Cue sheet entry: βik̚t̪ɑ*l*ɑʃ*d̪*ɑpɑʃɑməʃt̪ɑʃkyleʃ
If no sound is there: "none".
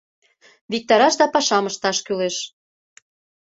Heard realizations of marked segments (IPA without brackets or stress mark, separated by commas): ɾ, d̪